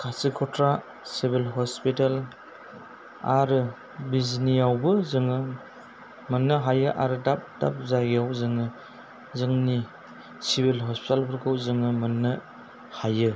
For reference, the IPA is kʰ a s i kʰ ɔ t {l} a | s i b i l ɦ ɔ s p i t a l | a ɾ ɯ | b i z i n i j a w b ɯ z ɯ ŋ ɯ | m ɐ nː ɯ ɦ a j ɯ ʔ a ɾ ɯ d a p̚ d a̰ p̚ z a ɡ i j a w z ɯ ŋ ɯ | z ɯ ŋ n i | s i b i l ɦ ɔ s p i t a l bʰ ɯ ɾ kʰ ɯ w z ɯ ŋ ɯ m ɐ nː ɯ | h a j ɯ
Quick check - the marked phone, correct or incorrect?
incorrect